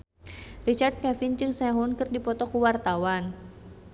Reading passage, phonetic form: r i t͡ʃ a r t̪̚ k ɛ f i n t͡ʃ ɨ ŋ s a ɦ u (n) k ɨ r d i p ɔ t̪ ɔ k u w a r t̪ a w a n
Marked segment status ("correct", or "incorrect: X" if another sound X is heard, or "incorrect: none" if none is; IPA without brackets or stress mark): correct